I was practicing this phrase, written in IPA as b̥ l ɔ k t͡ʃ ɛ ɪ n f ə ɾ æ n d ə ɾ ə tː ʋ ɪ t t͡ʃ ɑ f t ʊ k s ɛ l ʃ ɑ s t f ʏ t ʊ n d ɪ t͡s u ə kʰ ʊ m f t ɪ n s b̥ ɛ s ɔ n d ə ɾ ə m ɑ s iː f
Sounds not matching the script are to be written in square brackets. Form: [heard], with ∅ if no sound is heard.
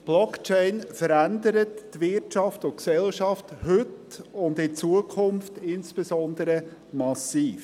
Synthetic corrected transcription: b̥ l ɔ k t͡ʃ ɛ ɪ n f ə ɾ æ n d ə ɾ ə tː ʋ ɪ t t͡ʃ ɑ f t ʊ k s ɛ l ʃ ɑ [f] t [h] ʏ t ʊ n d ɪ t͡s u ə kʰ ʊ m f t ɪ n s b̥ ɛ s ɔ n d ə ɾ ə m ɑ s iː f